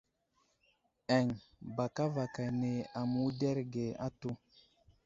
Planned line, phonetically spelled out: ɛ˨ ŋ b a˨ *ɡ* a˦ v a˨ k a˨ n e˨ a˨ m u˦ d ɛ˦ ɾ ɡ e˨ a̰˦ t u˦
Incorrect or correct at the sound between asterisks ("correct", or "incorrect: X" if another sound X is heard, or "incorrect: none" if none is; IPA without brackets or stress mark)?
incorrect: k